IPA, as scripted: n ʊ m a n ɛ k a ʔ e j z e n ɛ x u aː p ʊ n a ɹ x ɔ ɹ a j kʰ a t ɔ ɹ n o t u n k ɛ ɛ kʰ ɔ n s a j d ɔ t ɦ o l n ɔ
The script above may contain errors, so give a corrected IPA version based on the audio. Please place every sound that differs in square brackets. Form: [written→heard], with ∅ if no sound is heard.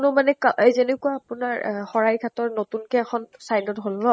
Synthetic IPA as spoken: n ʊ m a n ɛ k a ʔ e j z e n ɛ [x→k] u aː p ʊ n a ɹ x ɔ ɹ a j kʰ a t ɔ ɹ n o t u n k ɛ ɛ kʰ ɔ n s a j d ɔ t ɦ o l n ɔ